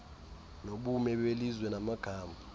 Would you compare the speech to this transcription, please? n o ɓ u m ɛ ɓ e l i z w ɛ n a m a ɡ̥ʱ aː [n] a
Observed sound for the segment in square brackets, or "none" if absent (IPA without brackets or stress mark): m